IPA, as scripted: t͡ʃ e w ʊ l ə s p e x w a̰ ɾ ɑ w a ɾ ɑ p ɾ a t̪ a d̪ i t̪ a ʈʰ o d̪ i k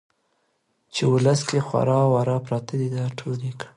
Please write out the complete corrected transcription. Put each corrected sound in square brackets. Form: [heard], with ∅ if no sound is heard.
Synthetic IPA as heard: t͡ʃ e w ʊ l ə s [k] e x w a̰ ɾ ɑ w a ɾ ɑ p ɾ [ɑ] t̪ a d̪ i [d̪] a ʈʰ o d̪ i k